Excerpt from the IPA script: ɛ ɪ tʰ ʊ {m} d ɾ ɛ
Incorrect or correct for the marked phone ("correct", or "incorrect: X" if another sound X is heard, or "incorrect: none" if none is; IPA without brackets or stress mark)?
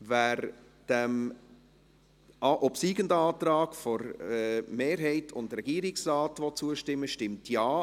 incorrect: n